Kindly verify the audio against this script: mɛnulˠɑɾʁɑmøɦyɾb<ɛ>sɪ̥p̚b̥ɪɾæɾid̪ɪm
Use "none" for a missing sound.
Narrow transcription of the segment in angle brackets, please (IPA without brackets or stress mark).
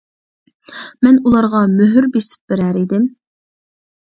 e